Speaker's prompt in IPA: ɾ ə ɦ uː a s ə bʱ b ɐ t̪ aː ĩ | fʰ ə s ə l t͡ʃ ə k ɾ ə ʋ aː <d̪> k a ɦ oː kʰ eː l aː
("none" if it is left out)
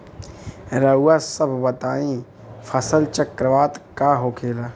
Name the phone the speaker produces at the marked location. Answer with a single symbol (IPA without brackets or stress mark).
t̪